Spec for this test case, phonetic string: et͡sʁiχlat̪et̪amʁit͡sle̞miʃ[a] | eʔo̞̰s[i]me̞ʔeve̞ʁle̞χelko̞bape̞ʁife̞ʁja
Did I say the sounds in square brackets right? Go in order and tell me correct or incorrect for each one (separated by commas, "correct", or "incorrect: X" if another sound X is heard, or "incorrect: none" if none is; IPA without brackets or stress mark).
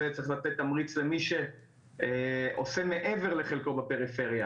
incorrect: e, incorrect: e